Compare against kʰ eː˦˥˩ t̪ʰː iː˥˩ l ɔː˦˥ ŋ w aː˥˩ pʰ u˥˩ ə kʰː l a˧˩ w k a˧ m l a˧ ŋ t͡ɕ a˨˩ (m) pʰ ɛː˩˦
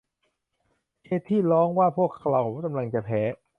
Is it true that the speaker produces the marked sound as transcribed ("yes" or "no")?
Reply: no